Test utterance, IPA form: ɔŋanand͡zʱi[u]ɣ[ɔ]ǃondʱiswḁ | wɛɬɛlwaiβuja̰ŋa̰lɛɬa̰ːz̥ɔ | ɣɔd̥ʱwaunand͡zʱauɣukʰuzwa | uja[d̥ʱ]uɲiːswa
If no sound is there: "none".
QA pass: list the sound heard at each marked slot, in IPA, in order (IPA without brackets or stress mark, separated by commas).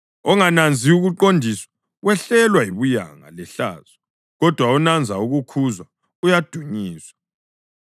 u, u, d̥ʱ